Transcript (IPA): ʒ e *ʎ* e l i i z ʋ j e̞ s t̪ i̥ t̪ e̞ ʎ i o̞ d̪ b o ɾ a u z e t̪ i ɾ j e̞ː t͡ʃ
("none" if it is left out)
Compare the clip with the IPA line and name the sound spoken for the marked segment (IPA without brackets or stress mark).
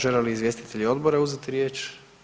l